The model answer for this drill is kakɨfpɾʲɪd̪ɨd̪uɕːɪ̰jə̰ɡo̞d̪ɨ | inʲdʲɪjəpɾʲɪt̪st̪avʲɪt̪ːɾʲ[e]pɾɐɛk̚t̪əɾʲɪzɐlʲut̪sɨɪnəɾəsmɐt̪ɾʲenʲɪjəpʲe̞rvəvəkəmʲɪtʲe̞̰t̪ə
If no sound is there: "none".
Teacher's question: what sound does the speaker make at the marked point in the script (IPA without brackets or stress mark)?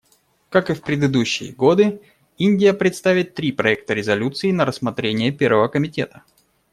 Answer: i